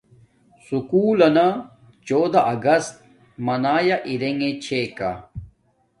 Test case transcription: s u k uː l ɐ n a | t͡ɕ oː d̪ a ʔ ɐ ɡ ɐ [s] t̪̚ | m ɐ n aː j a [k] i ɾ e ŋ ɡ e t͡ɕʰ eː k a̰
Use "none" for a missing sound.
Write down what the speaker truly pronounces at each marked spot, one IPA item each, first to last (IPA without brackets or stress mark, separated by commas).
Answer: s, ʔ